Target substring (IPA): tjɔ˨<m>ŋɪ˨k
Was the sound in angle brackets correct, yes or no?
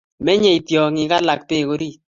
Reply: no